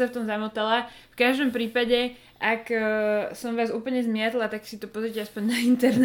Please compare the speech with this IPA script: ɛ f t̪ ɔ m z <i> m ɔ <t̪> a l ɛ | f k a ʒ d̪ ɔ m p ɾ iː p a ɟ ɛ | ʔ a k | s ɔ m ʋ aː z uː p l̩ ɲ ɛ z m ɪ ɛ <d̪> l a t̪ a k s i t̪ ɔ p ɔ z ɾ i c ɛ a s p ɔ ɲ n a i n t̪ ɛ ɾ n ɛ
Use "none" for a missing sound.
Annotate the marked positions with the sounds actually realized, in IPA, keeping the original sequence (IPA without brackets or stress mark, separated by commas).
a, t̪, t̪